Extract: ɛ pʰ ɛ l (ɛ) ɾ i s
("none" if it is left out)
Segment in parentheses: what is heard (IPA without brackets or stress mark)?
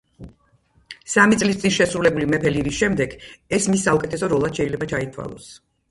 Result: i